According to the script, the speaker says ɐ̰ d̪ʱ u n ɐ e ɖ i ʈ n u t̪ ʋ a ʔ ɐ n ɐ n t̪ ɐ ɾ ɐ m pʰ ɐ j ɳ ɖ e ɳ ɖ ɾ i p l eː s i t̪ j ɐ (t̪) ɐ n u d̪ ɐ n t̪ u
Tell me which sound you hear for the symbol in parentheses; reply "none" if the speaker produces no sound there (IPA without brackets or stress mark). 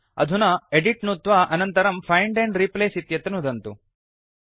t̪